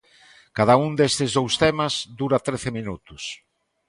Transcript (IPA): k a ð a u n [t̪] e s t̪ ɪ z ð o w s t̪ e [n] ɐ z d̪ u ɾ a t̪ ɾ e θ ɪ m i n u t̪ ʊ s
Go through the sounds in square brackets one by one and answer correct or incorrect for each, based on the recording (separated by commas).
incorrect, incorrect